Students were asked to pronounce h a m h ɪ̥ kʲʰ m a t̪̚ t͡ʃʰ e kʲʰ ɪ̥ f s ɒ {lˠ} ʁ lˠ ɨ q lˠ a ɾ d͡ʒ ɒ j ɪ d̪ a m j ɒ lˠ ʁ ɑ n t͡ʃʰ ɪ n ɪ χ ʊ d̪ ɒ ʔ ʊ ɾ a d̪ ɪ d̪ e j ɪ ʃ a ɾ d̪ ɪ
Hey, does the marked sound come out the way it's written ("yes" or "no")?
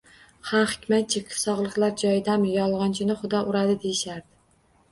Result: no